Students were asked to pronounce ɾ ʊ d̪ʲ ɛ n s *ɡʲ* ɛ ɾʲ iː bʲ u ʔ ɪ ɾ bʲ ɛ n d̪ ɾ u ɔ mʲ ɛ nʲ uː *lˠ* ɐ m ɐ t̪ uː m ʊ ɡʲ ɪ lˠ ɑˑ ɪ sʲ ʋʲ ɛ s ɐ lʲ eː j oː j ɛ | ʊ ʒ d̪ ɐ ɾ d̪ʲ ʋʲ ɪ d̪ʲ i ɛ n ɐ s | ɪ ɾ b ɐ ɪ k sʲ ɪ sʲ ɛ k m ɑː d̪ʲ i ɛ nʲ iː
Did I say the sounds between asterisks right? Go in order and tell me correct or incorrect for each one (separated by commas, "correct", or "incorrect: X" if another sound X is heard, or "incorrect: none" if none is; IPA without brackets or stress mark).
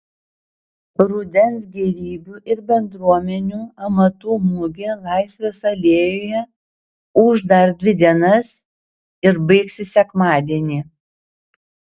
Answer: correct, incorrect: none